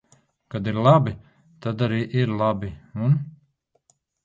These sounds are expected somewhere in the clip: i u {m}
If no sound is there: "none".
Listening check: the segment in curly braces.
n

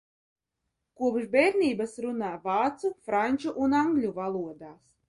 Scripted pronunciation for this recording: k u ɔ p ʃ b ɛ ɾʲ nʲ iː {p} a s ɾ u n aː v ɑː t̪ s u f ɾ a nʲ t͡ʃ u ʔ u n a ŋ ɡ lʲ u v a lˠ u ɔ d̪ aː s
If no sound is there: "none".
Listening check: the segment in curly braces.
b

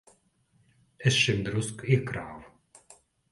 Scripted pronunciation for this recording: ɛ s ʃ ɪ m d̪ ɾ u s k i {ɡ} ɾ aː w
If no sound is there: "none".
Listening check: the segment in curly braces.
k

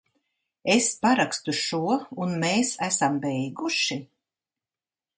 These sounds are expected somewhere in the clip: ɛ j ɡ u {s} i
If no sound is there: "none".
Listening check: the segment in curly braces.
ʃ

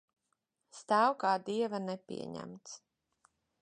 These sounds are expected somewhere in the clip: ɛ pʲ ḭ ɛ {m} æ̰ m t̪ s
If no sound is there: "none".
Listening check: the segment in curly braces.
ɲ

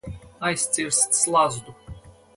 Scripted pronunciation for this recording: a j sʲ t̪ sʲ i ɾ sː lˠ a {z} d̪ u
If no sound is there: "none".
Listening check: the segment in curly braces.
z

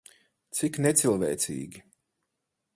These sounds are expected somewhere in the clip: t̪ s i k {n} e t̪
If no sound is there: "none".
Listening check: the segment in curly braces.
n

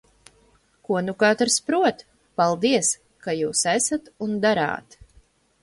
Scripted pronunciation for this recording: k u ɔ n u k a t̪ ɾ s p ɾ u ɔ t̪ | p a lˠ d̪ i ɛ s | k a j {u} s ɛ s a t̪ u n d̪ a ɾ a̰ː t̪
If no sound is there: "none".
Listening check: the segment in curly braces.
uː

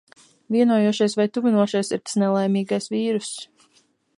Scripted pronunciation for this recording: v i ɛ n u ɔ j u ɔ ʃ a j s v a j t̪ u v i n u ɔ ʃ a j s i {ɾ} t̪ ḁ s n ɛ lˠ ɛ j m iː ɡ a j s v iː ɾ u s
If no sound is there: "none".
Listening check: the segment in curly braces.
ɾ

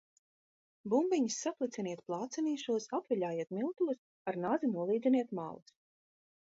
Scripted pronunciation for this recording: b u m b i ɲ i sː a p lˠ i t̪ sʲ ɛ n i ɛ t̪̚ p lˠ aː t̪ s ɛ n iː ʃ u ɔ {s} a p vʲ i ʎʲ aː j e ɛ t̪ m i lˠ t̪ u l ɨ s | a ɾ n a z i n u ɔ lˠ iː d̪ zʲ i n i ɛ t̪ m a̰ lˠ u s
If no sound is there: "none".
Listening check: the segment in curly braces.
s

